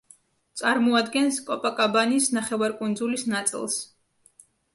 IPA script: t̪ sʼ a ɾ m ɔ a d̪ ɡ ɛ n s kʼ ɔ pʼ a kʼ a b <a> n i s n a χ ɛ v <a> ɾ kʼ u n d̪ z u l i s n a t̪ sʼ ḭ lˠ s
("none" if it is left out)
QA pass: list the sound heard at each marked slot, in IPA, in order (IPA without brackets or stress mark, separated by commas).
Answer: a, a